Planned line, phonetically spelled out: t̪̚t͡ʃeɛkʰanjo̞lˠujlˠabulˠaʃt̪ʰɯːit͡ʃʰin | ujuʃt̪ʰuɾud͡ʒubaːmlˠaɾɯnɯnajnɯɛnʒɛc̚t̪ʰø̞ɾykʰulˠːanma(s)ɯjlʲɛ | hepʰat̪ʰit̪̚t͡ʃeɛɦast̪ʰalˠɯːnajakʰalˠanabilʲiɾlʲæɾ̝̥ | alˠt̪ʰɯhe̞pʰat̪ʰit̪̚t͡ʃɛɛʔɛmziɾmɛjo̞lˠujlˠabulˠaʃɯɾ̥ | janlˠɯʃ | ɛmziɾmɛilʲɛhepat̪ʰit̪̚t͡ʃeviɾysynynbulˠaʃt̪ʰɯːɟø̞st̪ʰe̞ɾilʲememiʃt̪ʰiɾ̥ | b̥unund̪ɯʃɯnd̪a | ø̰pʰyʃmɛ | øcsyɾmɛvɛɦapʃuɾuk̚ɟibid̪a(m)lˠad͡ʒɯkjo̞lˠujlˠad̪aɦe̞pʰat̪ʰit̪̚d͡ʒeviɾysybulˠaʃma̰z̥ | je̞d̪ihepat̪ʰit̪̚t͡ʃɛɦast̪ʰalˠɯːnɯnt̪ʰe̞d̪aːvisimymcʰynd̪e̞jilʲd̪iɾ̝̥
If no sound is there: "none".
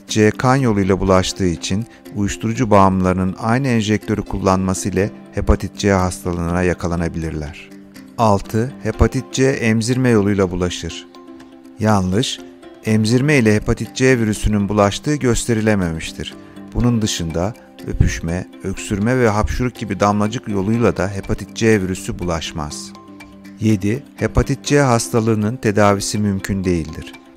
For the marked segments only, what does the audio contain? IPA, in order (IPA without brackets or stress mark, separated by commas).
s, m